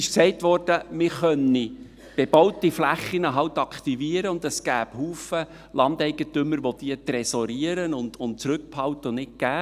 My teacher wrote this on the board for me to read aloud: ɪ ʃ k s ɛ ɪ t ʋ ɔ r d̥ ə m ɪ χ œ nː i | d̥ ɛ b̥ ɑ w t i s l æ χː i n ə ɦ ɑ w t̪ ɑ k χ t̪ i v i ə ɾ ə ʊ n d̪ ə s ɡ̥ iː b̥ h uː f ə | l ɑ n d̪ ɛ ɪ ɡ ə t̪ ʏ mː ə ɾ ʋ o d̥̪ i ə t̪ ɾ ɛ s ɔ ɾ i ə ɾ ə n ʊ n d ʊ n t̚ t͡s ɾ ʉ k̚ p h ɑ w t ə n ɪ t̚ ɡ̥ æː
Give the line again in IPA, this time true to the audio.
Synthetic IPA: ɪ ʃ k s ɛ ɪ t ʋ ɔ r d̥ ə m ɪ χ œ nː i | b̥ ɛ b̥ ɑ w t i f l æ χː i n ə ɦ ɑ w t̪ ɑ k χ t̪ i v i ə ɾ ə ʊ n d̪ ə s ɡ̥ æː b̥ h uː f ə | l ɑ n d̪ ɛ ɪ ɡ ə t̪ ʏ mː ə ɾ ʋ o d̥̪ i ə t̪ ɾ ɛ s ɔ ɾ i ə ɾ ə n ʊ n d ʊ n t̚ t͡s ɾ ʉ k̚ p h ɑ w t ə n ɪ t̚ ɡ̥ æː